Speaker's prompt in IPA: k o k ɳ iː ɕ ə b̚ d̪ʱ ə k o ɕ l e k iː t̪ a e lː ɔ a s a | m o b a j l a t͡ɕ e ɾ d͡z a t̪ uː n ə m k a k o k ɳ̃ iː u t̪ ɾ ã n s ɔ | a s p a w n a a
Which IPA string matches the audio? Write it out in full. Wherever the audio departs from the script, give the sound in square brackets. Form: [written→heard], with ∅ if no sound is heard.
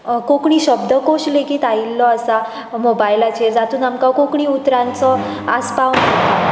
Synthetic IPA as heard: k o k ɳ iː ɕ ə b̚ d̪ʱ ə k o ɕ l e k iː t̪ a [e→i] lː ɔ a s a | m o b a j l a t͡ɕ e ɾ d͡z a t̪ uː n [ə→a] m k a k o k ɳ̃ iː u t̪ ɾ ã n [s→t͡s] ɔ | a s p a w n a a